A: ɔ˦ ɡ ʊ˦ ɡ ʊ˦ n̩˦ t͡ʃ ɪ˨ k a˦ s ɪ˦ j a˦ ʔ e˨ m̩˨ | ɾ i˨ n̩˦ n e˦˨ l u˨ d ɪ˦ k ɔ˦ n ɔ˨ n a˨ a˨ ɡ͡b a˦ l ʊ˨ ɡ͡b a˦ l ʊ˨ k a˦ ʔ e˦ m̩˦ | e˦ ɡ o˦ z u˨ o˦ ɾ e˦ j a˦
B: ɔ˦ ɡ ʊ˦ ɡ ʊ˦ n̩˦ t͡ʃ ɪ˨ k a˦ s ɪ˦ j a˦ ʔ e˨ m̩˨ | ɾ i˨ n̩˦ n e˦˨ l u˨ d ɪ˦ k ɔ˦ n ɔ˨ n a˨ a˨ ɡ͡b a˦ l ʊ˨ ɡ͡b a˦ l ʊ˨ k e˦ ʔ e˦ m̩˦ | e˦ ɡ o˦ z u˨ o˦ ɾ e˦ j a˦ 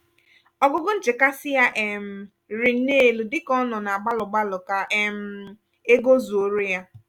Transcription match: A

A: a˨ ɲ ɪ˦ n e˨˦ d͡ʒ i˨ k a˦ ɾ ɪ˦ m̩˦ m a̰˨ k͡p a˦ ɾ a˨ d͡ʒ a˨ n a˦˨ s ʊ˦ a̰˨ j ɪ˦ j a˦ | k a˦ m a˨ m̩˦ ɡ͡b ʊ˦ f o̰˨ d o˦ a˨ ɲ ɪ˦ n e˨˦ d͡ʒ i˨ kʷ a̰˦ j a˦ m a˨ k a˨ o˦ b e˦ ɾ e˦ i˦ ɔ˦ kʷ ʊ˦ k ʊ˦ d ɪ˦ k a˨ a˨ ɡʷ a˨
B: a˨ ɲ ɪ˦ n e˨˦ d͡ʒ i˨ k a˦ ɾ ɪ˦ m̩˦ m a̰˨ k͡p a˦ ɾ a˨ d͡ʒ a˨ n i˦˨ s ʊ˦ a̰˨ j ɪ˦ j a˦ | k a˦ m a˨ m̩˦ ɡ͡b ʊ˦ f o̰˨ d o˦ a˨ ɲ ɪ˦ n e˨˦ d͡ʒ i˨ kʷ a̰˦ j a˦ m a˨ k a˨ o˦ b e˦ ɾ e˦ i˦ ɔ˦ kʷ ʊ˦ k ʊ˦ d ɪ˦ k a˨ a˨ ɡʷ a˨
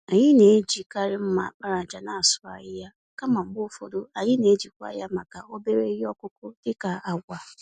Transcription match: A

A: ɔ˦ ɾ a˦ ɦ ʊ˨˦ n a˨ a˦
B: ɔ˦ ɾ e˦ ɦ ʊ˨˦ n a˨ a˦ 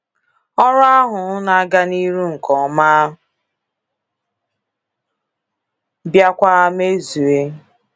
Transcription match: A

